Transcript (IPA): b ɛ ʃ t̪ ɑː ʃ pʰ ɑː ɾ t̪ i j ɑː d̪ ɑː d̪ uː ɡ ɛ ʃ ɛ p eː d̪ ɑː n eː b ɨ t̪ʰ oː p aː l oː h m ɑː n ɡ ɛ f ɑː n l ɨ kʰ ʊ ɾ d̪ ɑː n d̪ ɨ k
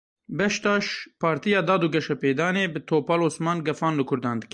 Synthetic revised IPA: b ɛ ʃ t̪ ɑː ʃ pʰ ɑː ɾ t̪ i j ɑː d̪ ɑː d̪ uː ɡ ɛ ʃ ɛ p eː d̪ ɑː n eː b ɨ t̪ʰ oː p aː l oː s m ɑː n ɡ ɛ f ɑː n l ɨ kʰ ʊ ɾ d̪ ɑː n d̪ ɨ k